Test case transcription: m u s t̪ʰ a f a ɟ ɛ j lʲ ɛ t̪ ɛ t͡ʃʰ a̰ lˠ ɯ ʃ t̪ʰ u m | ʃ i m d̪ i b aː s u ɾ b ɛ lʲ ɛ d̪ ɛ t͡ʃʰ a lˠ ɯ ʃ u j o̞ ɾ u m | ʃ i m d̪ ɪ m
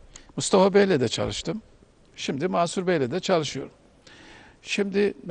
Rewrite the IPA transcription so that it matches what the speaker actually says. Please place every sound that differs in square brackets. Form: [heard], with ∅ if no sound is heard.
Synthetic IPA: m u s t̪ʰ a f a [b] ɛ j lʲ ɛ [d̪] ɛ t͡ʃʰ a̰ lˠ ɯ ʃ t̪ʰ [ɯ] m | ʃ i m d̪ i [m] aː s u ɾ b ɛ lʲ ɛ d̪ ɛ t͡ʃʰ a lˠ ɯ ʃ [ɯ] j o̞ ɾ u m | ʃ i m d̪ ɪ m